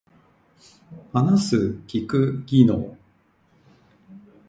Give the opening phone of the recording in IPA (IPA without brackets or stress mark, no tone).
h